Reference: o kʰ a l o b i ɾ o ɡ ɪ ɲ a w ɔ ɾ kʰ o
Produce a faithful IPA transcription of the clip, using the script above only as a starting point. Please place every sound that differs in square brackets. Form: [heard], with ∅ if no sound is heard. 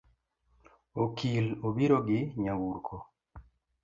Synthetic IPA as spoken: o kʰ [i] l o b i ɾ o ɡ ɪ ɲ a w [u] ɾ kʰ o